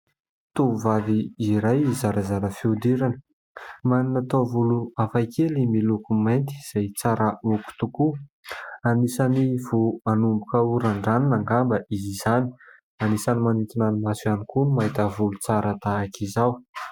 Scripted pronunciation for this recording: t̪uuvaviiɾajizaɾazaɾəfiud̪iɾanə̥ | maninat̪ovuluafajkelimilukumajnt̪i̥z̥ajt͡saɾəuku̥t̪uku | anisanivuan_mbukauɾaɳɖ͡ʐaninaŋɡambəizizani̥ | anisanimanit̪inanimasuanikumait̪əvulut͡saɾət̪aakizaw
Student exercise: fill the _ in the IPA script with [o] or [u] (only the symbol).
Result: u